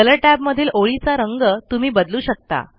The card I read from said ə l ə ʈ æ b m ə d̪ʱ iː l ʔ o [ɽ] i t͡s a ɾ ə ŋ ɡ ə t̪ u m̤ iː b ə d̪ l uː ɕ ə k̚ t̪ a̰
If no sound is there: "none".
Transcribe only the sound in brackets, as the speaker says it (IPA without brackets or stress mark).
ɭ